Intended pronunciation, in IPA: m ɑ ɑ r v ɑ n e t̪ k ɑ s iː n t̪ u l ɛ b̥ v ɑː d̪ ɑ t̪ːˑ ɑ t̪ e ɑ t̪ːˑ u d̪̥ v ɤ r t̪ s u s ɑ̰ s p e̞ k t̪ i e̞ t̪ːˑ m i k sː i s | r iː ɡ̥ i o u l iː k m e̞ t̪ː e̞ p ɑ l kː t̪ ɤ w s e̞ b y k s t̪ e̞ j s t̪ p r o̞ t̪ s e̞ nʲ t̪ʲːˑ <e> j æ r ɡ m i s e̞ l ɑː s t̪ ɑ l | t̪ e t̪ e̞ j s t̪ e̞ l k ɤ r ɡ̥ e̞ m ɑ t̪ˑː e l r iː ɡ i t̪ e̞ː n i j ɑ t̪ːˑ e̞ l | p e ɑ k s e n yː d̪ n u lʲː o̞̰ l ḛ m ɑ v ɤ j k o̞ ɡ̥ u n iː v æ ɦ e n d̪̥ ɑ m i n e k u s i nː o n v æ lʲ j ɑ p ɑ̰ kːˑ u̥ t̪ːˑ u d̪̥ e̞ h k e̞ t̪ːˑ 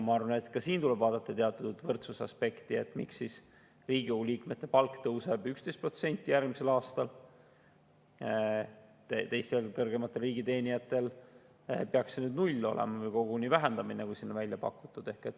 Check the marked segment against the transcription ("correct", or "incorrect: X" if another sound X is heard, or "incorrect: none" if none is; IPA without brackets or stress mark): incorrect: i